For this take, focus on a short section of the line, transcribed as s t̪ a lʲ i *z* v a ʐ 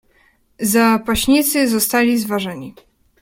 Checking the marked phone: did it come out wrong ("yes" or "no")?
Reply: no